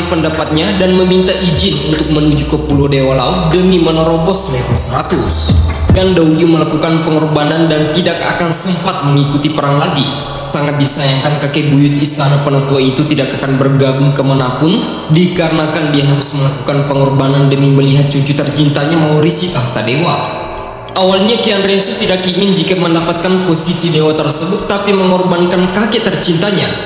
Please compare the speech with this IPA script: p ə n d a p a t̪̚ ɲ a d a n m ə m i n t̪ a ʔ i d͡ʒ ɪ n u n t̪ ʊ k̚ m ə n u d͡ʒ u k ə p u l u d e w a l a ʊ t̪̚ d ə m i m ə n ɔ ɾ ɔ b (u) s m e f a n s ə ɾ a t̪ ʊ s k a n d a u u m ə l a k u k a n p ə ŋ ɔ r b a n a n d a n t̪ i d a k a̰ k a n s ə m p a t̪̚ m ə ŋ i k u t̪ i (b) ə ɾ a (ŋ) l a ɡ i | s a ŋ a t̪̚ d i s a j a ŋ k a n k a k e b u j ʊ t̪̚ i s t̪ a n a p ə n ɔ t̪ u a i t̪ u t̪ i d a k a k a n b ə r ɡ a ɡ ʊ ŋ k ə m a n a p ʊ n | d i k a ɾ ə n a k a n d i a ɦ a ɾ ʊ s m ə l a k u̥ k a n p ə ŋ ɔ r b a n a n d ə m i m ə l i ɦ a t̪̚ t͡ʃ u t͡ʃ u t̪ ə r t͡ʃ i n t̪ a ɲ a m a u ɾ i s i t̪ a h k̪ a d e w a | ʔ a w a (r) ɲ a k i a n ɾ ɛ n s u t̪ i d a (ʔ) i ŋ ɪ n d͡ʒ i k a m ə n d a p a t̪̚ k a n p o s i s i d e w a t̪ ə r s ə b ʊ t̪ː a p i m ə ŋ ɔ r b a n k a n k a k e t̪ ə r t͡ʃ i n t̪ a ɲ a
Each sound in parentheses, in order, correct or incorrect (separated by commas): incorrect, incorrect, correct, incorrect, incorrect